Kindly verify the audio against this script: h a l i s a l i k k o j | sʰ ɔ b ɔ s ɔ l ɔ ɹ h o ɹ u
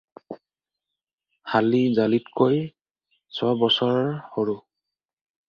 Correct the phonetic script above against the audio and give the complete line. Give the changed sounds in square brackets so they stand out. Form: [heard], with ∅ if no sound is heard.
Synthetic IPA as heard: h a l i [z] a l i [t] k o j | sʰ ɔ b ɔ s ɔ [ɹ] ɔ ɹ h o ɹ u